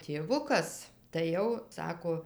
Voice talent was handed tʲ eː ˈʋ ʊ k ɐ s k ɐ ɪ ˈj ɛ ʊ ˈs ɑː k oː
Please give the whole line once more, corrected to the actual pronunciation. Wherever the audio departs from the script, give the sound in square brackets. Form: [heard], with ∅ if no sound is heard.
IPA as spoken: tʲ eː ˈʋ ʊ k ɐ s [t] ɐ ɪ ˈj ɛ ʊ ˈs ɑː k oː